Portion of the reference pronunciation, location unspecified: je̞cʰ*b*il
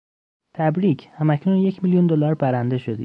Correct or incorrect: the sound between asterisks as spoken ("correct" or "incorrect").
incorrect